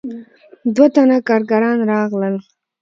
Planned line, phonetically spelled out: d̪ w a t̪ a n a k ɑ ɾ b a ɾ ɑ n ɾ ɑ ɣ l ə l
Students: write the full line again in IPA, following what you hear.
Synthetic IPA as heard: d̪ w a t̪ a n a k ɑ ɾ ɡ a ɾ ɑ n ɾ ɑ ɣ l ə l